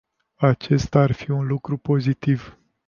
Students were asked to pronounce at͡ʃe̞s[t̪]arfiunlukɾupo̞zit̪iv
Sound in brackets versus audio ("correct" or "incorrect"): correct